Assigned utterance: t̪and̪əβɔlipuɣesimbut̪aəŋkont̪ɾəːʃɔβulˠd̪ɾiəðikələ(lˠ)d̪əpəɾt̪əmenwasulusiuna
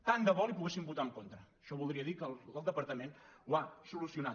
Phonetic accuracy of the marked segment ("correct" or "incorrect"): correct